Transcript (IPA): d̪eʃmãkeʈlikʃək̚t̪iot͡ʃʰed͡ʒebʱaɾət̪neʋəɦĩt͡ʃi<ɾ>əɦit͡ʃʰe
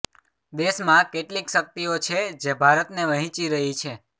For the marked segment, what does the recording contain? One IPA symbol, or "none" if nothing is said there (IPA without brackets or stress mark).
ɾ